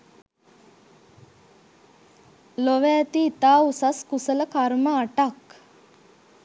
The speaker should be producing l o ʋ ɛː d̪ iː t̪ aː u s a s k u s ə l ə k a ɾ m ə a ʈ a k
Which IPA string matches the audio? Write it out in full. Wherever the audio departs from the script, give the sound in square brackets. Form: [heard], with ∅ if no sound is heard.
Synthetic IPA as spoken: l o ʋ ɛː [t̪] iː t̪ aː u s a s k u s ə l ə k a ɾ m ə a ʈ a k